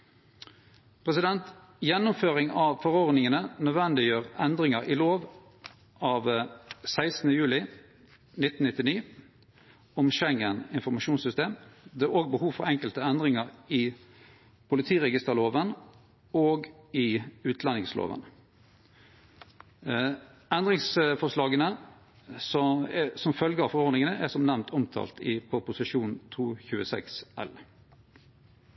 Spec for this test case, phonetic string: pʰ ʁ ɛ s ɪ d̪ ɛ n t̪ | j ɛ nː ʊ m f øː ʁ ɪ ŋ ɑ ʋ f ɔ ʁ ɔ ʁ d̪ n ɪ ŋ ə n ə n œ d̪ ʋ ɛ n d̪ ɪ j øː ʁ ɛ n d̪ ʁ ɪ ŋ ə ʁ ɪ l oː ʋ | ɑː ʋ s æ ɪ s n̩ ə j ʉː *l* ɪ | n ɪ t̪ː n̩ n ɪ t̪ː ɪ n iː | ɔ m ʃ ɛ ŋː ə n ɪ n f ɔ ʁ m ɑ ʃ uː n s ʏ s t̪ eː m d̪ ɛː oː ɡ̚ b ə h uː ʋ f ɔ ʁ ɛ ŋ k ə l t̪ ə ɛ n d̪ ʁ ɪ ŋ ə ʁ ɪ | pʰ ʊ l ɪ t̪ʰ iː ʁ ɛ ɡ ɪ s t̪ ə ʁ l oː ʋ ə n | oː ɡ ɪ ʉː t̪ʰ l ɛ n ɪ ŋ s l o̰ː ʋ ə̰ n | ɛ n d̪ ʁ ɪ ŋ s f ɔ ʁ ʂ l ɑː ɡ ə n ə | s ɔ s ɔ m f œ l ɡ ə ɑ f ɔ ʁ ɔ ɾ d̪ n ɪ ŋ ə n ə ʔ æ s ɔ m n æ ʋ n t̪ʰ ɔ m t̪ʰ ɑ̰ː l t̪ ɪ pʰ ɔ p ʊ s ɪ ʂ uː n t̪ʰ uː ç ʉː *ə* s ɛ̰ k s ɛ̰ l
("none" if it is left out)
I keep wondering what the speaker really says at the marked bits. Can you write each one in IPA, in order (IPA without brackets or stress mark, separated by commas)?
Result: l, ə